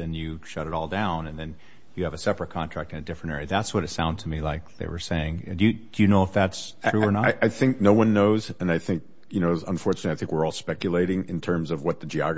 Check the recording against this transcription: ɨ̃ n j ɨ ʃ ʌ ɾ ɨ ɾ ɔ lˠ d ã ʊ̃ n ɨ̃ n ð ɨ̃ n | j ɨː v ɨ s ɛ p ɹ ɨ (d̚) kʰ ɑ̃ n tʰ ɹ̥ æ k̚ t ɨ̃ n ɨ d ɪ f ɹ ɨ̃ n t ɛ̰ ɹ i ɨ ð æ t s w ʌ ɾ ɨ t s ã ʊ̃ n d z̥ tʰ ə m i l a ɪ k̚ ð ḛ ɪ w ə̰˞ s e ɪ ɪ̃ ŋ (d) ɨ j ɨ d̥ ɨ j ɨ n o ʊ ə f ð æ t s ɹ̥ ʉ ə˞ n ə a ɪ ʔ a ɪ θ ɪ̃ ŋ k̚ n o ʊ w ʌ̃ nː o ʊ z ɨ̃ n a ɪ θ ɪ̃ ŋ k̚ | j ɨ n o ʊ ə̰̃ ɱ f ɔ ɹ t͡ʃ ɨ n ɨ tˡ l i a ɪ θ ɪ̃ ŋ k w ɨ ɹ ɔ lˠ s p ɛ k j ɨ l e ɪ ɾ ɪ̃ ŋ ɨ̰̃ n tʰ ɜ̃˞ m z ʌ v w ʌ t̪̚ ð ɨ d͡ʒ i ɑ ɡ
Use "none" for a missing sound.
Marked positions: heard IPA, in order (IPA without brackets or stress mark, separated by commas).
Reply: t̚, d